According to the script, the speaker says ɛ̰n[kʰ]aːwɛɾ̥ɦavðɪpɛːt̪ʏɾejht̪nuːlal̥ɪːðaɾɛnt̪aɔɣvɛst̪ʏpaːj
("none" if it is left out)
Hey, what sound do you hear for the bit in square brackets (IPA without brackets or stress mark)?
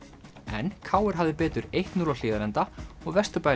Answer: kʰ